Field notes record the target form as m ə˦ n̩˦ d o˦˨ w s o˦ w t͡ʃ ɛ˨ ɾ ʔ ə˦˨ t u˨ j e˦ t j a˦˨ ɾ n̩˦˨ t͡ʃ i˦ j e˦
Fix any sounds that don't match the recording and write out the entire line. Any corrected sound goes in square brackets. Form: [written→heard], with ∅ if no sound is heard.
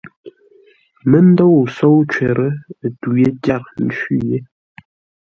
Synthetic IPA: m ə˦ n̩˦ d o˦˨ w s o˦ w t͡ʃ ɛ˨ ɾ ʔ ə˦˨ t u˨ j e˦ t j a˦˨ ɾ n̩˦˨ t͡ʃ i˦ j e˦